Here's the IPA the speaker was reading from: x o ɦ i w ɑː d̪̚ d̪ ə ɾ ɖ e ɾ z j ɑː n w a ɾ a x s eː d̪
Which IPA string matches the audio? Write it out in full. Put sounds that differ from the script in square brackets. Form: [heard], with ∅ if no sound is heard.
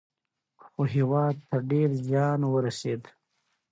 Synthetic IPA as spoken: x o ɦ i w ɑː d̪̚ [t̪] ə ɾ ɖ e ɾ z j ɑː n w [ə] ɾ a [∅] s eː d̪